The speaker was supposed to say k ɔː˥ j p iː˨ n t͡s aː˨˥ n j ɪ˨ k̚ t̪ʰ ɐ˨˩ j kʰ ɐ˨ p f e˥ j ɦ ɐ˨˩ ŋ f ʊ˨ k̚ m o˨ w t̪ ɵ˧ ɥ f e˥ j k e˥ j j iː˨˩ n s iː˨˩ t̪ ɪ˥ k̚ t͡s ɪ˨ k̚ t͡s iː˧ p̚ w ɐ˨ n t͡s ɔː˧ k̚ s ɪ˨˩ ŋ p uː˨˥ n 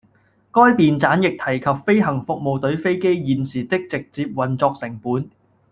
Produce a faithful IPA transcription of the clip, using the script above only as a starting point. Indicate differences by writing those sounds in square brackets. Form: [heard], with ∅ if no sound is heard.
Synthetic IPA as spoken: k ɔː˥ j p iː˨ n t͡s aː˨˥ n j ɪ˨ k̚ t̪ʰ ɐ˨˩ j kʰ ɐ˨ p f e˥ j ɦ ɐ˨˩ ŋ f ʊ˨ k̚ m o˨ w t̪ [ɵ˨˥] ɥ f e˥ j k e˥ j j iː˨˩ n s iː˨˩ t̪ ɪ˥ k̚ t͡s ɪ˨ k̚ t͡s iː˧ p̚ w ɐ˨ n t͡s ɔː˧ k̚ s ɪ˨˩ ŋ p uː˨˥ n